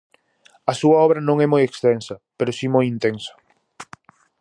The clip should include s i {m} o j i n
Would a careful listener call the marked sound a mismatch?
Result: no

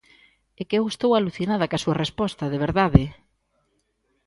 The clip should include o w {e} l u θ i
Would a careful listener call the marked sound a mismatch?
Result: yes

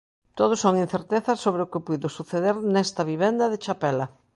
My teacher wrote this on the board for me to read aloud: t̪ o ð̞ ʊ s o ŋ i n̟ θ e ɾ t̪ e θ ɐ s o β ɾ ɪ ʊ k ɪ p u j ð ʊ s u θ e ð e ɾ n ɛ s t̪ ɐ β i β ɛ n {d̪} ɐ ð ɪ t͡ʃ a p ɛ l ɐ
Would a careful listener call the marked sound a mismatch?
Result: no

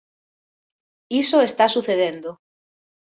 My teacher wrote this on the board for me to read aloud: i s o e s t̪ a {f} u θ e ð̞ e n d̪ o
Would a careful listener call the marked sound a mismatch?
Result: yes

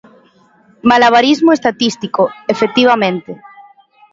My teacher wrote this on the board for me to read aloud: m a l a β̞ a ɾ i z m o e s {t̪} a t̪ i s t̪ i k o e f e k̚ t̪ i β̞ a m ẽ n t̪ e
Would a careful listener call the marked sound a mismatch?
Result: no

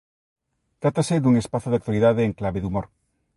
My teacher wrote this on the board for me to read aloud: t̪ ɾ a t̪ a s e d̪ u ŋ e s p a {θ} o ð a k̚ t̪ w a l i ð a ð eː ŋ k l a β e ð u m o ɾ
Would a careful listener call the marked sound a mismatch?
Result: no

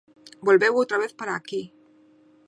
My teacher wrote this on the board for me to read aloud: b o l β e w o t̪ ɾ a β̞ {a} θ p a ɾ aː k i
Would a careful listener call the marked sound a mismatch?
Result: yes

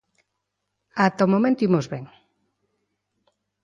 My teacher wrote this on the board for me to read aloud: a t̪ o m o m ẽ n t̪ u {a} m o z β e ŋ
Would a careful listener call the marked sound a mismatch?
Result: yes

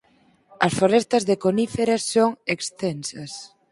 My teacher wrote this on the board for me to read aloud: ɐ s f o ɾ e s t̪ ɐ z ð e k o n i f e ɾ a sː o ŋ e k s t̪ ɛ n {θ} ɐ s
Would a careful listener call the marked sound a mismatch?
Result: yes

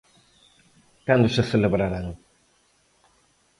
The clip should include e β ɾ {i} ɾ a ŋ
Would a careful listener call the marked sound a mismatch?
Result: yes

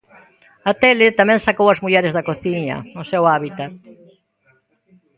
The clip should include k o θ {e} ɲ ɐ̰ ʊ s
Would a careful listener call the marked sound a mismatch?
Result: yes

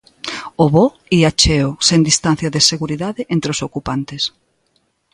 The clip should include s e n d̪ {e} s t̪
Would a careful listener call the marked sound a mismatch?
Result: yes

